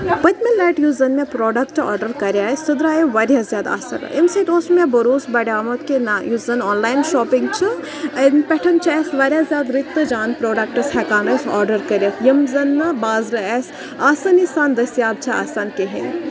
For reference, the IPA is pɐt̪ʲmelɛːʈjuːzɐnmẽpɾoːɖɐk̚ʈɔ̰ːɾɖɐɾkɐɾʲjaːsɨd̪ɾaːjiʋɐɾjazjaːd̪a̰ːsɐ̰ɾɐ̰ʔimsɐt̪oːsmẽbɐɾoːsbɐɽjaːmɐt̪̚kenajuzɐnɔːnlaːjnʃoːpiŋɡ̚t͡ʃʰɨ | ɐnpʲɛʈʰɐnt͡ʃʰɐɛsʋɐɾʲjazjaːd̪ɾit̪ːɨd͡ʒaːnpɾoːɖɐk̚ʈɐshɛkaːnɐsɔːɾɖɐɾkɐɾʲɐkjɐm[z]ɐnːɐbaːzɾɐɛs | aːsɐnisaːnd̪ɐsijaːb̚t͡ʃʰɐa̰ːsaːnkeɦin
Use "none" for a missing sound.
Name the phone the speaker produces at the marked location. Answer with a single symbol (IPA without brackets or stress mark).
z